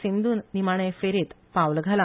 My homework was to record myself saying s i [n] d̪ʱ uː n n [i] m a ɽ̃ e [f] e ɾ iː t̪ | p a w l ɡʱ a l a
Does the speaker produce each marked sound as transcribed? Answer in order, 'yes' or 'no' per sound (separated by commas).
yes, yes, yes